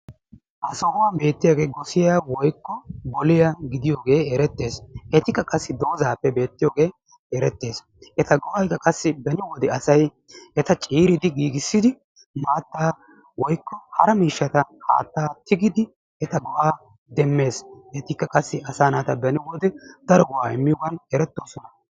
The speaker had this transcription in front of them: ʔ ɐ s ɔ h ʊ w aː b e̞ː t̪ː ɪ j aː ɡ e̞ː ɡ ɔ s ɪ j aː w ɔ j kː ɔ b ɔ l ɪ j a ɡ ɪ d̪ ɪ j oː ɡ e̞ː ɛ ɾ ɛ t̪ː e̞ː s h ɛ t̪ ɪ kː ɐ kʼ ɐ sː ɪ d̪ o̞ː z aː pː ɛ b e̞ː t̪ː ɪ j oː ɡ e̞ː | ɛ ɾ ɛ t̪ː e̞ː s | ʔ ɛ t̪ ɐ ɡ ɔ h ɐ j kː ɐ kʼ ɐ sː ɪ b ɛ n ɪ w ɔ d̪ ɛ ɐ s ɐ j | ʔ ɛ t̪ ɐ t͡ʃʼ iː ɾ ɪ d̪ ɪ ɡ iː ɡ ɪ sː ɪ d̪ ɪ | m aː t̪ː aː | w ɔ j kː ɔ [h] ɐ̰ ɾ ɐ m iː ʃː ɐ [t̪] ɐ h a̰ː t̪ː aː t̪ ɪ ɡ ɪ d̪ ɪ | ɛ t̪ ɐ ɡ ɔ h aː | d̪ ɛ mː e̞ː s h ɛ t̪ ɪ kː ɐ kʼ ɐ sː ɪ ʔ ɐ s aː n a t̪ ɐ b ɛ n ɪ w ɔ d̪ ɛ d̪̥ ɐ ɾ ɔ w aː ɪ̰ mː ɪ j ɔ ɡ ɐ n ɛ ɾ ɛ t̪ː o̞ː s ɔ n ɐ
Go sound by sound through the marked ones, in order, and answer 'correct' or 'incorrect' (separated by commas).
correct, correct